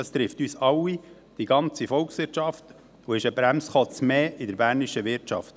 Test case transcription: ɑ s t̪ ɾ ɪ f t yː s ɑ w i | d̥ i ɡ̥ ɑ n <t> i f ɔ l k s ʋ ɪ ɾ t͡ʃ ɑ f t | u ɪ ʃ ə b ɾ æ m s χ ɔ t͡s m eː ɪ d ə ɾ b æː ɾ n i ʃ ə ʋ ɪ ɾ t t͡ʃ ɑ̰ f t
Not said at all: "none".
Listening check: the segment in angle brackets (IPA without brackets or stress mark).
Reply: t͡s